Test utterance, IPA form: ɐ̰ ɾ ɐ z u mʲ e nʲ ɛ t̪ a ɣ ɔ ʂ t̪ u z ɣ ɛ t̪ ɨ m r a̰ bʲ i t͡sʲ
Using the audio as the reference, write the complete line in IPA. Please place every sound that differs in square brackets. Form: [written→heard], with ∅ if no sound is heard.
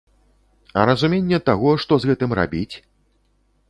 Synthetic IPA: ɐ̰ ɾ ɐ z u mʲ e [nʲ→nʲː] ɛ t̪ a ɣ ɔ ʂ t̪ [u→ɔ] z ɣ ɛ t̪ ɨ m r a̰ bʲ i t͡sʲ